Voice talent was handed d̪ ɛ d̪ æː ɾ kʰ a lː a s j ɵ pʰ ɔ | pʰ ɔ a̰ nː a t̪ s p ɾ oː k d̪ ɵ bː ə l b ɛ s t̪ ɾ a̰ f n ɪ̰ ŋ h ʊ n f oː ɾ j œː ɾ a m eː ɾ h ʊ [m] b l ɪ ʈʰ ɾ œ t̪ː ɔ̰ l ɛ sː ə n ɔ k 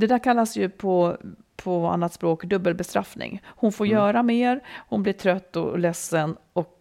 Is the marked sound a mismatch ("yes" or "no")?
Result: yes